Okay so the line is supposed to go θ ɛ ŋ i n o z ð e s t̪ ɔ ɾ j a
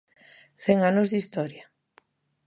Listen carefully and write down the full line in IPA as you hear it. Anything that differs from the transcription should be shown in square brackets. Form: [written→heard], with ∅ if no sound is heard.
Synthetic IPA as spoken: θ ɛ ŋ [i→a] n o z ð [e→i] s t̪ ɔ ɾ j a